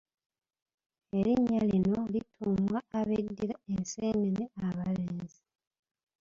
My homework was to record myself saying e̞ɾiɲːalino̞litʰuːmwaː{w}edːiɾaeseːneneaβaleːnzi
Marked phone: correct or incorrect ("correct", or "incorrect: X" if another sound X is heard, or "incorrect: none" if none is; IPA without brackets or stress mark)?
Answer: incorrect: β